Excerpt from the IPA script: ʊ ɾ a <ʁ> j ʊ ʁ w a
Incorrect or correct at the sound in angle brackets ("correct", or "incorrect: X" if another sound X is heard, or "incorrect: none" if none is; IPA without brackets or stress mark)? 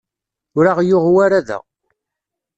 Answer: correct